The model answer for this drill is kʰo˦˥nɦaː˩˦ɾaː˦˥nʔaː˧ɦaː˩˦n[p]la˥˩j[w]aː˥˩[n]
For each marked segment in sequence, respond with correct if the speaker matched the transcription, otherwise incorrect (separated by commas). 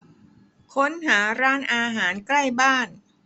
incorrect, incorrect, correct